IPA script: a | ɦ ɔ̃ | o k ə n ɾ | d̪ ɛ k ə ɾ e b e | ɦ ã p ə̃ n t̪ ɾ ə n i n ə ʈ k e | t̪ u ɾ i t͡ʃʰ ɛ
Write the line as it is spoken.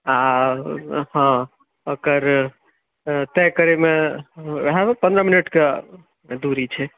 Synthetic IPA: a | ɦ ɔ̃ | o k ə ɾ | t̪ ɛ k ə ɾ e m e | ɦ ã p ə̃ n d̪ ɾ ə m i n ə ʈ k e | d̪ u ɾ i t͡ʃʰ ɛ

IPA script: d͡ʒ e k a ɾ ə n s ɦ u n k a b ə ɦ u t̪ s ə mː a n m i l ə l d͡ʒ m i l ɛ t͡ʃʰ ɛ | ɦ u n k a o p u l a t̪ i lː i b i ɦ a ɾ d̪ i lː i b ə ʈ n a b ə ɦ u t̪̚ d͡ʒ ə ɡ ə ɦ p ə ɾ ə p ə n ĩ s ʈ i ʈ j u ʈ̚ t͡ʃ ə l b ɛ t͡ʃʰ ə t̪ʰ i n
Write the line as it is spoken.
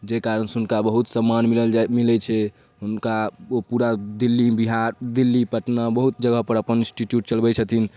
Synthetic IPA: d͡ʒ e k a ɾ ə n s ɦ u n k a b ə ɦ u t̪ s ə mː a n m i l ə l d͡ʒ m i l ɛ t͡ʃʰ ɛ | ɦ u n k a o p u ɾ a d̪ i lː i b i ɦ a ɾ d̪ i lː i p ə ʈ n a b ə ɦ u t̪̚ d͡ʒ ə ɡ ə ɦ p ə ɾ ə p ə n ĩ s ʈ i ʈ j u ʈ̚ t͡ʃ ə l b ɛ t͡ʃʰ ə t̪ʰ i n

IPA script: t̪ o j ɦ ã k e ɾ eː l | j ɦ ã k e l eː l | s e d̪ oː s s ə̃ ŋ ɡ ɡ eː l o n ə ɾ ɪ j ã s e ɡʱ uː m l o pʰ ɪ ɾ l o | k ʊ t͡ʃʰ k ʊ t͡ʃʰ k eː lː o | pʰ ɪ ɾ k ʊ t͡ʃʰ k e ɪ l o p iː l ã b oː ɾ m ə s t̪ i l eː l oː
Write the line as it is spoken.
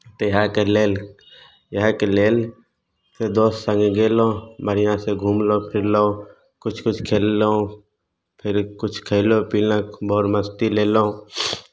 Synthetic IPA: t̪ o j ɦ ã k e l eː l | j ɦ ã k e l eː l | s e d̪ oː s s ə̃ ŋ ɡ ɡ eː l o m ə ɾ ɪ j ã s e ɡʱ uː m l o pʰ ɪ ɾ l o | k ʊ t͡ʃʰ k ʊ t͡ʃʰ kʰ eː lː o | pʰ ɪ ɾ k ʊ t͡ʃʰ kʰ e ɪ l o p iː l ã b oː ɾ m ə s t̪ i l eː l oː

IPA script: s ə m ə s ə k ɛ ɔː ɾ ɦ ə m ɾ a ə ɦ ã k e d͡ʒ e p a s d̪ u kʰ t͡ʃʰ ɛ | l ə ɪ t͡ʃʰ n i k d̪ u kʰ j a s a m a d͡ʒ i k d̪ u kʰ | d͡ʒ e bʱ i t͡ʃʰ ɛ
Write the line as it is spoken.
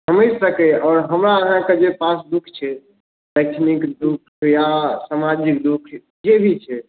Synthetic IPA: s ə m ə s ə k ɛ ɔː ɾ ɦ ə m ɾ a ə ɦ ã k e d͡ʒ e p a s d̪ u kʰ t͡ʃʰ ɛ | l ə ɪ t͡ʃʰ n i k d̪ u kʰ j a s a m a d͡ʒ i k d̪ u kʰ | d͡ʒ e bʱ i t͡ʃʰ ɛ

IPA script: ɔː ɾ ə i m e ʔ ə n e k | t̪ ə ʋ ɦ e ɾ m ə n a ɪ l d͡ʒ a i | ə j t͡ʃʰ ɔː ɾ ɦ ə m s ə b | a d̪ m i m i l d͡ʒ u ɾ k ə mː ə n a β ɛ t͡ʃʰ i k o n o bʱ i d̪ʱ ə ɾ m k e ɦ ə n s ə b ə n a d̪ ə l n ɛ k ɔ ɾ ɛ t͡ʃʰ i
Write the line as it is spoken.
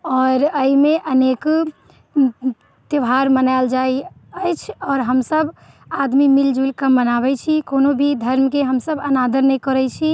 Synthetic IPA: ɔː ɾ ə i m e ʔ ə n e k | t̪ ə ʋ ɦ a ɾ m ə n a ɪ l d͡ʒ a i | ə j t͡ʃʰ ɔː ɾ ɦ ə m s ə b | a d̪ m i m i l d͡ʒ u l k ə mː ə n a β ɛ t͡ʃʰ i k o n o bʱ i d̪ʱ ə ɾ m k e ɦ ə m s ə b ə n a d̪ ə ɾ n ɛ k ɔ ɾ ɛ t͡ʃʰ i

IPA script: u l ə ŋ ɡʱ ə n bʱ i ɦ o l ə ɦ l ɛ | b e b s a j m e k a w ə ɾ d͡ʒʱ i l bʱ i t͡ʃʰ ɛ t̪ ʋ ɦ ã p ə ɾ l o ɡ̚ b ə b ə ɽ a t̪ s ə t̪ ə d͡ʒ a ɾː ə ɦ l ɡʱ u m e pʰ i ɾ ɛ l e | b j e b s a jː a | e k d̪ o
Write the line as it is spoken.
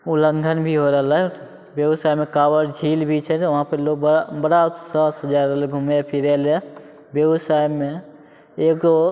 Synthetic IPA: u l ə ŋ ɡʱ ə n bʱ i ɦ o ɾ ə ɦ l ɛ | b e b s a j m e k a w ə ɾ d͡ʒʱ i l bʱ i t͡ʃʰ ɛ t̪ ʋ ɦ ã p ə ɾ l o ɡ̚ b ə b ə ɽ a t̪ s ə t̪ ə d͡ʒ a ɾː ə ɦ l ɡʱ u m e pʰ i ɾ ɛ l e | b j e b s a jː e | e k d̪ o

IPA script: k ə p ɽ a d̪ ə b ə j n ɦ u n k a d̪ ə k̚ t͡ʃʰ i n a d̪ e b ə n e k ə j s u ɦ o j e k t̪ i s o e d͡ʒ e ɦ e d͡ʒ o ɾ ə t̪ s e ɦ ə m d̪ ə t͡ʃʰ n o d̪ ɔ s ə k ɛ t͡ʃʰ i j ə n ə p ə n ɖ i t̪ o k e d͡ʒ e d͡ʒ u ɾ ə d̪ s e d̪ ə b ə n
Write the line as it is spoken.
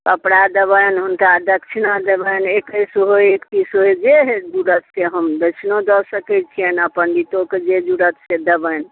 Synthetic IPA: k ə p ɽ a d̪ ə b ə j n ɦ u n k a d̪ ə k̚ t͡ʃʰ i n a d̪ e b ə n e k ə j s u ɦ o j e k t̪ i s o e d͡ʒ e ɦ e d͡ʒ u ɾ ə t̪ s e ɦ ə m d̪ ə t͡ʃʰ n o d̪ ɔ s ə k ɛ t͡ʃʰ i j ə n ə p ə n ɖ i t̪ o k e d͡ʒ e d͡ʒ u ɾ ə t̪ s e d̪ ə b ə n

